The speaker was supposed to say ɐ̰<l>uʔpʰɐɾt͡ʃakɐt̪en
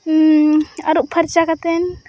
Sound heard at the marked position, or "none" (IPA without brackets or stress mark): ɾ